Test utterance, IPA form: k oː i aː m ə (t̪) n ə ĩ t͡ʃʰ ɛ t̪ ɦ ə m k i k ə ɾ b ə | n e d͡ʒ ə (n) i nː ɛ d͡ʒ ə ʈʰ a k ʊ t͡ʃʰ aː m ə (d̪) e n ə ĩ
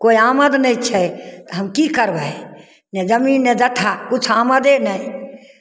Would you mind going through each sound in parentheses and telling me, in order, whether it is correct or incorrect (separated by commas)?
incorrect, incorrect, correct